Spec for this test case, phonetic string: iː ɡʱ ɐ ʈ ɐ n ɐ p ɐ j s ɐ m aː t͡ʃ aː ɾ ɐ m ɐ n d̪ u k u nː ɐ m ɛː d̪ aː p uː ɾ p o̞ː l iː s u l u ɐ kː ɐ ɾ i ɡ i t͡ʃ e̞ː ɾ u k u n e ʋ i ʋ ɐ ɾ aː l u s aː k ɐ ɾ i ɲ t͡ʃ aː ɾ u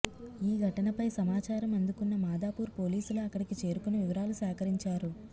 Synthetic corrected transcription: iː ɡʱ ɐ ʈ ɐ n ɐ p ɐ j s ɐ m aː t͡ʃ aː ɾ ɐ m ɐ n d̪ u k u nː ɐ m aː d̪ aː p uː ɾ p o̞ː l iː s u l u ɐ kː ɐ ɽ i k i t͡ʃ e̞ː ɾ u k u n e ʋ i ʋ ɐ ɾ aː l u s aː k ɐ ɾ i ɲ t͡ʃ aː ɾ u

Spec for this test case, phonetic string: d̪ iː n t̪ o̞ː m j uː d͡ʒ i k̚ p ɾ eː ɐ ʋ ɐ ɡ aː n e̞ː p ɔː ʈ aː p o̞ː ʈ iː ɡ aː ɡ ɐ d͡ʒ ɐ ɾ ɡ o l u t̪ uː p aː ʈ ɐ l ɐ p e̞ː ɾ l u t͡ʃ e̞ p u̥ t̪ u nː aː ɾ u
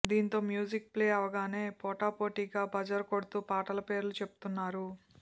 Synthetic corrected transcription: d̪ iː n t̪ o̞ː m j uː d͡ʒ i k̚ p l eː ɐ ʋ ɐ ɡ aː n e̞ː p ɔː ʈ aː p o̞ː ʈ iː ɡ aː b ɐ d͡ʒ ɐ ɾ k o ɽ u t̪ uː p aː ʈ ɐ l ɐ p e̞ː ɾ l u t͡ʃ e̞ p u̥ t̪ u nː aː ɾ u

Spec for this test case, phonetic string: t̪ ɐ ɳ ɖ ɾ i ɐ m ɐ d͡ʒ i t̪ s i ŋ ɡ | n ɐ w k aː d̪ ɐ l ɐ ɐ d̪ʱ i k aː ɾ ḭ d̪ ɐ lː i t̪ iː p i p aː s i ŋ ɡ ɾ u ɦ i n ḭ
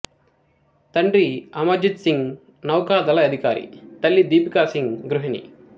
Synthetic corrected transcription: t̪ ɐ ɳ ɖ ɾ i ɐ m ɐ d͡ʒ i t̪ s i ŋ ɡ | n ɐ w k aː d̪ ɐ l ɐ ɐ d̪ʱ i k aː ɾ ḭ t̪ ɐ lː i d̪ iː p i k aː s i ŋ ɡ ɾ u ɦ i n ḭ

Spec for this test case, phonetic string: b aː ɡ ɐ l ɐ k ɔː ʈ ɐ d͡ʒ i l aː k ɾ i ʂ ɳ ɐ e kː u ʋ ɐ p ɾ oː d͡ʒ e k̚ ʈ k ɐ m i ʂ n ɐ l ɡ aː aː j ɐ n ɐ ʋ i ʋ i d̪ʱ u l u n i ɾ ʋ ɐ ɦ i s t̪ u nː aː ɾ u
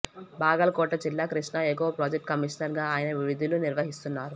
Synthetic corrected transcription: b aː ɡ ɐ l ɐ k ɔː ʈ ɐ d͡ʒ i lː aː k ɾ i ʂ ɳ ɐ e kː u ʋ ɐ p ɾ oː d͡ʒ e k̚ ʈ k ɐ m i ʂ n ɐ ɾ ɡ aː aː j ɐ n ɐ ʋ i ʋ i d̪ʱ u l u n i ɾ ʋ ɐ ɦ i s t̪ u nː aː ɾ u

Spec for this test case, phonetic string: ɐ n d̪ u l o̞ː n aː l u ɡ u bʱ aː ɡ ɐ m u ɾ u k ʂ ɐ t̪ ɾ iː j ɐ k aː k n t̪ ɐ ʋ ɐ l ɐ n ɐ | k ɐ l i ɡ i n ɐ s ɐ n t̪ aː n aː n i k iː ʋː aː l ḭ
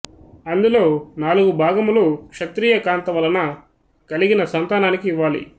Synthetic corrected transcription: ɐ n d̪ u l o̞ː n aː l u ɡ u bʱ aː ɡ ɐ m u l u k ʂ ɐ t̪ ɾ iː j ɐ k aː n t̪ ɐ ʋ ɐ l ɐ n ɐ | k ɐ l i ɡ i n ɐ s ɐ n t̪ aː n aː n i k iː ʋː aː l ḭ

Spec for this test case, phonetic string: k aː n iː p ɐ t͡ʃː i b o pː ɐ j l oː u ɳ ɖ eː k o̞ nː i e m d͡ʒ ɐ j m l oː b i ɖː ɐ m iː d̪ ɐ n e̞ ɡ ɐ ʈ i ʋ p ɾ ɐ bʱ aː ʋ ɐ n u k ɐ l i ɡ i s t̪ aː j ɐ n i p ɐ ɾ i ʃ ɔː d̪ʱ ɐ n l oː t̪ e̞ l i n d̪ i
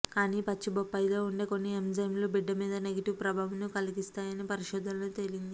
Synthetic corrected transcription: k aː n iː p ɐ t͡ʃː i b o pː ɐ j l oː u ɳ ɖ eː k o̞ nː i e m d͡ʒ ɐ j m l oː b i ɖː ɐ m iː d̪ ɐ n e̞ ɡ ɐ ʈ i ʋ p ɾ ɐ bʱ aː ʋ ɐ n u k ɐ l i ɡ i s t̪ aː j ɐ n i p ɐ ɾ i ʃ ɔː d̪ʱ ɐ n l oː t̪ e̞ l i n d̪ i

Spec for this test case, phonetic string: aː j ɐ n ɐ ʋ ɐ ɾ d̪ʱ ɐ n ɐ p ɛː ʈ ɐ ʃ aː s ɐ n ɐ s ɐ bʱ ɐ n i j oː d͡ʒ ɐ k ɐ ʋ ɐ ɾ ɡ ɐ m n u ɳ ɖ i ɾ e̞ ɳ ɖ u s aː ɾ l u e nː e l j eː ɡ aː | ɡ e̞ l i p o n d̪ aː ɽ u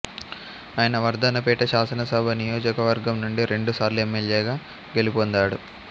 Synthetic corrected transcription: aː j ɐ n ɐ ʋ ɐ ɾ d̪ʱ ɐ n ɐ p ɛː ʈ ɐ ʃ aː s ɐ n ɐ s ɐ bʱ ɐ n i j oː d͡ʒ ɐ k ɐ ʋ ɐ ɾ ɡ ɐ m n u ɳ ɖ i ɾ e̞ ɳ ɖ u s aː ɾ l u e mː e l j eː ɡ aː | ɡ e̞ l i p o n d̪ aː ɽ u

